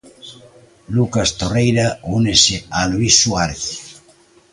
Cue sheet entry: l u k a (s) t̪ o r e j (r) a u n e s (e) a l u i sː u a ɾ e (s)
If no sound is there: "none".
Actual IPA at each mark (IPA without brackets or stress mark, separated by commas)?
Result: s, ɾ, e, θ